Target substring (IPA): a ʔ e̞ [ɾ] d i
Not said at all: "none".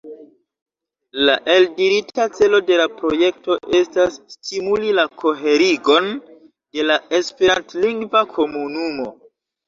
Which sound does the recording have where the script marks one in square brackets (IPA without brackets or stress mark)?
l